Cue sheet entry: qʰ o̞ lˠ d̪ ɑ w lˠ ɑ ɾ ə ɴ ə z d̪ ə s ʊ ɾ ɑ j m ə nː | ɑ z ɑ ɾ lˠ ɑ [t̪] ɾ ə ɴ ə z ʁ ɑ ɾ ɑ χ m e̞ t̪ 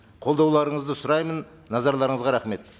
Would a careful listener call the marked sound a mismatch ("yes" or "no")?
yes